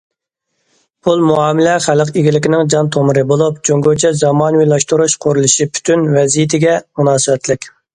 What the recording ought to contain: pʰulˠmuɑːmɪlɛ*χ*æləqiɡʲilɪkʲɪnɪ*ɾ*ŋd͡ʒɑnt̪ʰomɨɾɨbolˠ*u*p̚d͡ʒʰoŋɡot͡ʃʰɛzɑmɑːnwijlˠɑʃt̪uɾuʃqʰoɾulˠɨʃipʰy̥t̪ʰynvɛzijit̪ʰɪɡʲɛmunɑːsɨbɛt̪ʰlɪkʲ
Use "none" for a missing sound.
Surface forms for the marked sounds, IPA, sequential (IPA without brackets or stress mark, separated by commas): χ, none, u